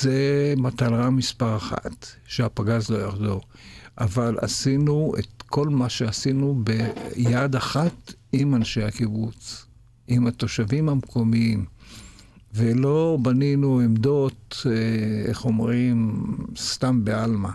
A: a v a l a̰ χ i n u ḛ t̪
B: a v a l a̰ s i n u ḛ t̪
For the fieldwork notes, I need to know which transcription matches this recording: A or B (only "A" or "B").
B